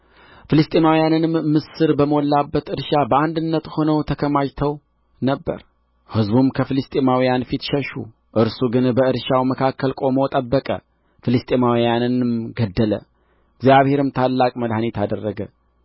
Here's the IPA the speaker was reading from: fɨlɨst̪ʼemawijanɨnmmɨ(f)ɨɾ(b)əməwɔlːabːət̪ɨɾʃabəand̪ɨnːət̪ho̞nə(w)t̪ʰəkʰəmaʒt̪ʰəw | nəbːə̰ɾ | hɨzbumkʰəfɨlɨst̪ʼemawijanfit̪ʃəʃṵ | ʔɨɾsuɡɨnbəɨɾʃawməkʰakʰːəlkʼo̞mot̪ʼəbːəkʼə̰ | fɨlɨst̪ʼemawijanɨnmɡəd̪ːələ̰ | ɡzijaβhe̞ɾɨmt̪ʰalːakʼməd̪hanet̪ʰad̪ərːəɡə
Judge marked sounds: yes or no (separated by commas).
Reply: no, yes, yes